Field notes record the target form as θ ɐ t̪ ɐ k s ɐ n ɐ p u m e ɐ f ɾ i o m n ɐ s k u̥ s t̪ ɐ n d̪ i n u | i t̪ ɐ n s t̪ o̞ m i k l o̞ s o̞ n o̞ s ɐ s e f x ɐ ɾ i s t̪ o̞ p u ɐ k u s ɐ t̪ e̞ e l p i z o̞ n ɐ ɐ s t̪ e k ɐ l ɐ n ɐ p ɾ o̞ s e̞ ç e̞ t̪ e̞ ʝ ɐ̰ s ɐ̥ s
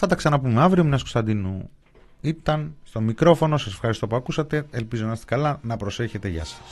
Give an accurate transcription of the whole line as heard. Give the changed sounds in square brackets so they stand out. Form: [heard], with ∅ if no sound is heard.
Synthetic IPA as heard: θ ɐ t̪ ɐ k s ɐ n ɐ p u m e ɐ [v] ɾ i o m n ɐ s k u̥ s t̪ ɐ n d̪ i n u | i t̪ ɐ n s t̪ o̞ m i k [ɾ] o̞ [f] o̞ n o̞ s ɐ s e f x ɐ ɾ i s t̪ o̞ p u ɐ k u s ɐ t̪ e̞ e l p i z o̞ n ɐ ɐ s t̪ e k ɐ l ɐ n ɐ p ɾ o̞ s e̞ ç e̞ t̪ e̞ ʝ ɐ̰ s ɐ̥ s